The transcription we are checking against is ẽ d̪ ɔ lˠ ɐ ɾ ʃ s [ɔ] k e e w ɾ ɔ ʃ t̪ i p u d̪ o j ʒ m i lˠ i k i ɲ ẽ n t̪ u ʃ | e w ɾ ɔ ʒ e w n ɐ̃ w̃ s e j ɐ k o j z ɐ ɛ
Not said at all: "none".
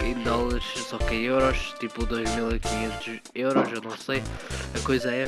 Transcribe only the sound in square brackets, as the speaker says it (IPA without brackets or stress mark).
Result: ɔ